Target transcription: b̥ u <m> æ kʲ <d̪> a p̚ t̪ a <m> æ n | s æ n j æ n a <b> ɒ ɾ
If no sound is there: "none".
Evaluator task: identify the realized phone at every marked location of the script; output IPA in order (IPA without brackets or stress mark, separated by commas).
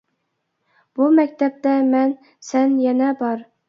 m, t̪, m, b